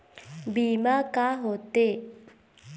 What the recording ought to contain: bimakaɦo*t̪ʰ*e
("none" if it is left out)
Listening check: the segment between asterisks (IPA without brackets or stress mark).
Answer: t̪